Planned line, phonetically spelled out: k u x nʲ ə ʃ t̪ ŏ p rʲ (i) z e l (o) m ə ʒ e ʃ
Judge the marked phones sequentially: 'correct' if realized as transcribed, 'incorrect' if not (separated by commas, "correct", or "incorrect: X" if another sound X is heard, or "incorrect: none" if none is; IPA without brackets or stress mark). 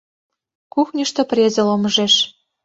incorrect: e, correct